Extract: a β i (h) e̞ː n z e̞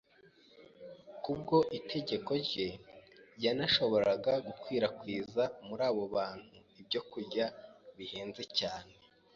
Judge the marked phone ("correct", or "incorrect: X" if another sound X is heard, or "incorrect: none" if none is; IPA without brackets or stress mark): correct